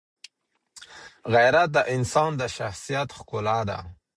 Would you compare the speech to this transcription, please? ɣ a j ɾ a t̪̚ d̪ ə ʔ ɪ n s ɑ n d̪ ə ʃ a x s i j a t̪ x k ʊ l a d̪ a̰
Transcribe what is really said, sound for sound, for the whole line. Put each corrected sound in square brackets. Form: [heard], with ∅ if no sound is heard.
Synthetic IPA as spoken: ɣ a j ɾ a t̪̚ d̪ ə ʔ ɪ n s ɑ n d̪ ə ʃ a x s i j a t̪ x k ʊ l a d̪ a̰

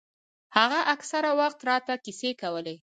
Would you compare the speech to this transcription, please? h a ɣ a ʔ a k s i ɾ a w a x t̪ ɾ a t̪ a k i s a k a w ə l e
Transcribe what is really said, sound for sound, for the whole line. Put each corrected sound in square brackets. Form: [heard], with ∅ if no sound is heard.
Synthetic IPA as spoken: h a ɣ a ʔ a k s [a] ɾ a w a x t̪ ɾ [ɑ] t̪ a k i s [e] k a w ə l e

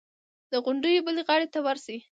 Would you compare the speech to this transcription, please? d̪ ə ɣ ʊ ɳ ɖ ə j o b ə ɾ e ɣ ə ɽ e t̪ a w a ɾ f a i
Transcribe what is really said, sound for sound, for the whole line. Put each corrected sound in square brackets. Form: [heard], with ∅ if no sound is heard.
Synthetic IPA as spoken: d̪ ə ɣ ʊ ɳ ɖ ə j o b ə [l] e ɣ [ɑ] ɽ e t̪ a w a ɾ [s] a i

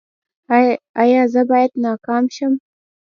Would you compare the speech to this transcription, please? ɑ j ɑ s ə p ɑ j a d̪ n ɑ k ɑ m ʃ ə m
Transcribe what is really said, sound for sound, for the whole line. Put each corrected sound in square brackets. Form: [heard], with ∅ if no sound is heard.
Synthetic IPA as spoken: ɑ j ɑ [z] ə [b] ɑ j a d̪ n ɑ k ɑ m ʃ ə m

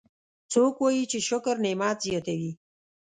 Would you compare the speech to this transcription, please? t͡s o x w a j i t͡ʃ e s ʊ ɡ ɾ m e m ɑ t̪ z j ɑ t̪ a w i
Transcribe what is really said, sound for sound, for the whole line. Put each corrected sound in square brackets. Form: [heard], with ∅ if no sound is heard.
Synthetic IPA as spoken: t͡s o [k] w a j i t͡ʃ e [ʃ] ʊ [k] ɾ [n] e m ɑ t̪ z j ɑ t̪ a w i

